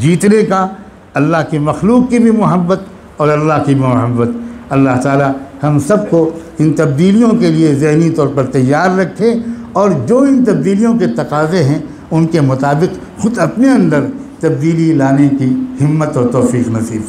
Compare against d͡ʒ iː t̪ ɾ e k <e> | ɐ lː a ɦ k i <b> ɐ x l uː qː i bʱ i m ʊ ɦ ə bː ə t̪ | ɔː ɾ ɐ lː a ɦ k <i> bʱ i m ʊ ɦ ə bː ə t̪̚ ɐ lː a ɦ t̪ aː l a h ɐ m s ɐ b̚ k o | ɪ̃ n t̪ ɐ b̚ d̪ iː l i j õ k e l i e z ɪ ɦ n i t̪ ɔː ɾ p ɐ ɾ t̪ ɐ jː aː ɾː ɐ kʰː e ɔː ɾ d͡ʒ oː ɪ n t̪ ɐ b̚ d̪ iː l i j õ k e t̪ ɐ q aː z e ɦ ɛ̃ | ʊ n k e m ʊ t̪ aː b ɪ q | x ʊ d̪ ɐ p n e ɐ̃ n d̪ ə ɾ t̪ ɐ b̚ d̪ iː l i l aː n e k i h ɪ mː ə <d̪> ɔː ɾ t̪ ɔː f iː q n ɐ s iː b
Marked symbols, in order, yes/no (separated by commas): no, no, yes, no